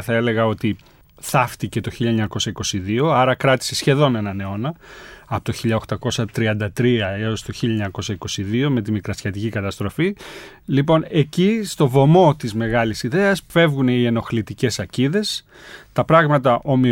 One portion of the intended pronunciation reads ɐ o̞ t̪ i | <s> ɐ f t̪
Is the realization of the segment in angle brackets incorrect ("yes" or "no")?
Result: yes